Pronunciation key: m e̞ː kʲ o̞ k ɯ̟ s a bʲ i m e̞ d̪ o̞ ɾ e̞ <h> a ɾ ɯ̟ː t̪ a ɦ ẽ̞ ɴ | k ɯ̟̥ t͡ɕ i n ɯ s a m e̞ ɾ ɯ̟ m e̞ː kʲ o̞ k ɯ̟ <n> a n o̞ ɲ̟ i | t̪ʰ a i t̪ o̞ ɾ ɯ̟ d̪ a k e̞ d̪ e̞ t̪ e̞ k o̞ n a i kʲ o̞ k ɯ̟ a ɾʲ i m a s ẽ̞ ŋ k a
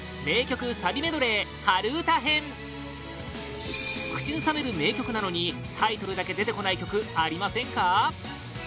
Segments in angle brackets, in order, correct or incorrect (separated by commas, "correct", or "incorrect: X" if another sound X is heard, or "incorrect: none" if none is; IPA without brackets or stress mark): correct, correct